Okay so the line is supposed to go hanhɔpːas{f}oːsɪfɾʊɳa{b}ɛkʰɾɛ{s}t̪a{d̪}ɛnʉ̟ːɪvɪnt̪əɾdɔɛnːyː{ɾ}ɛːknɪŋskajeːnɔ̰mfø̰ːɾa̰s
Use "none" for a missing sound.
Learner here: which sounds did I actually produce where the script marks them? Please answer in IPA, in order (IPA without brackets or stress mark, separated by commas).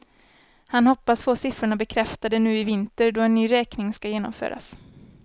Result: f, b, f, d̪, ɾ